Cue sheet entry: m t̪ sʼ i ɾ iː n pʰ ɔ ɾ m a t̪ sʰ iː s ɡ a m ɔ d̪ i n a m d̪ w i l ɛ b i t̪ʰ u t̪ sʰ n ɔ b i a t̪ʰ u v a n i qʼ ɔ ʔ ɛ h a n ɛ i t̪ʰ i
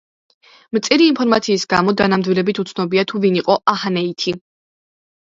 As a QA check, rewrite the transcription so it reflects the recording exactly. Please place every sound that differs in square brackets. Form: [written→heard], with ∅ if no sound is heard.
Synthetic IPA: m t̪ sʼ i ɾ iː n pʰ ɔ ɾ m a t̪ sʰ iː s ɡ a m ɔ d̪ [i→a] n a m d̪ w i l ɛ b i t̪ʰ u t̪ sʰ n ɔ b i a t̪ʰ u v [a→i] n i qʼ ɔ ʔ [ɛ→a] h a n ɛ i t̪ʰ i